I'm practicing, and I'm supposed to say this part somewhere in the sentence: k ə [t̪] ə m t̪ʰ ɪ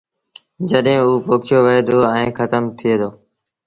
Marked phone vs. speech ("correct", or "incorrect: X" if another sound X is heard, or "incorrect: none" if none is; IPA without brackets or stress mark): correct